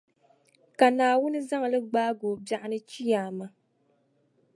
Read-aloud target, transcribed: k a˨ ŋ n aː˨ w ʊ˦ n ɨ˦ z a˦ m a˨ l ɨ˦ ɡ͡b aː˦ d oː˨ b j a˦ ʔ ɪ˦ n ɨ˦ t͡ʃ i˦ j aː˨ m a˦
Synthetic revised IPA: k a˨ n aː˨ w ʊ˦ n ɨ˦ z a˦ ŋ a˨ l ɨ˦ ɡ͡b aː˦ ɡ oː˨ b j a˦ ʔ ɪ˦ n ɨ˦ t͡ʃ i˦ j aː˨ m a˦